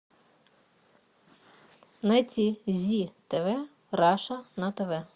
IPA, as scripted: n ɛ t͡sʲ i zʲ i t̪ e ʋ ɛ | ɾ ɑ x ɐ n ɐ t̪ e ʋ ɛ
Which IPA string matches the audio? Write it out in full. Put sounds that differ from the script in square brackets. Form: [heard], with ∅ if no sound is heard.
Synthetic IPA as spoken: n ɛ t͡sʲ i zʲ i t̪ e ʋ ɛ | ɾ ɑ [ʃ] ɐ n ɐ t̪ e ʋ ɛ